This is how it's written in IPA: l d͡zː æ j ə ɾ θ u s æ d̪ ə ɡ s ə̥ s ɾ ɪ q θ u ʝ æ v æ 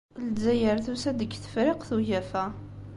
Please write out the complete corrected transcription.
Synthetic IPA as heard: l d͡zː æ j ə ɾ θ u s æ d̪ ə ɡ θ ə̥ f ɾ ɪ q θ u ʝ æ f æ